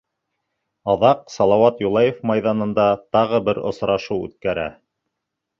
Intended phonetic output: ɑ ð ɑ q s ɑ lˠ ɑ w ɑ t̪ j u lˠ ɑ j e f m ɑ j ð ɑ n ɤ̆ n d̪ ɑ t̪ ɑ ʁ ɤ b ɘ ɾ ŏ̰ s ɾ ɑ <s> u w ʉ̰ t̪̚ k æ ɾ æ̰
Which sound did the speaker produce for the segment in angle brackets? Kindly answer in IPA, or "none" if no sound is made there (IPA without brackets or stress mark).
ʃ